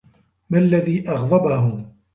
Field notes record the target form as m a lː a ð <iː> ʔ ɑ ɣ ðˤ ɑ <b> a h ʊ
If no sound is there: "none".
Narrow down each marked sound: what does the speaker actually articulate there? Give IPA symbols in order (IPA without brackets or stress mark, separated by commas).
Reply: iː, b